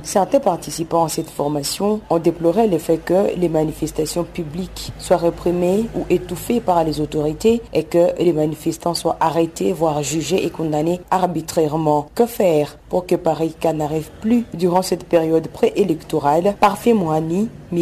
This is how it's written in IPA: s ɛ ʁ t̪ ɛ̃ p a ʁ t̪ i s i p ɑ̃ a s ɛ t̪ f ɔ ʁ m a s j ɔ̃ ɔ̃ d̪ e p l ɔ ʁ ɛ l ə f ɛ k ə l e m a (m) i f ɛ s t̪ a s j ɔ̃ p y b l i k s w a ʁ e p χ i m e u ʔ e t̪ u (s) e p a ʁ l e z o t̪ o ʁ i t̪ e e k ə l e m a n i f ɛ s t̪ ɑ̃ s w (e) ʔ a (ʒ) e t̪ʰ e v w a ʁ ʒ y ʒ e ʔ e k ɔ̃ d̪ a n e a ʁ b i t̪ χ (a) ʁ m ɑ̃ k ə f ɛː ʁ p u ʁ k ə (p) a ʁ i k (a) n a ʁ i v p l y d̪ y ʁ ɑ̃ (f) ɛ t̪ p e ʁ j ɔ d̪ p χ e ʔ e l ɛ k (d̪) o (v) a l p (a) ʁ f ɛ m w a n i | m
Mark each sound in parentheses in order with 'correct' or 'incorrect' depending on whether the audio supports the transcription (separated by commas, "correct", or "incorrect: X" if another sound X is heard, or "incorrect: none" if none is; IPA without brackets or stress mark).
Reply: incorrect: n, incorrect: f, incorrect: a, incorrect: ʁ, incorrect: ɛ, correct, correct, incorrect: s, incorrect: t̪, incorrect: ʁ, correct